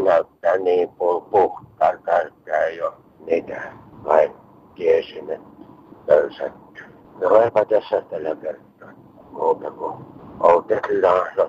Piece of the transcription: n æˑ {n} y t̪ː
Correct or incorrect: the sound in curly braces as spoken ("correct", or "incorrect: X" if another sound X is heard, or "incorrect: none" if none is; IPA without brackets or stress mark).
incorrect: none